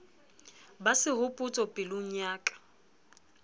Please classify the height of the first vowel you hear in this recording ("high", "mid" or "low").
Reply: low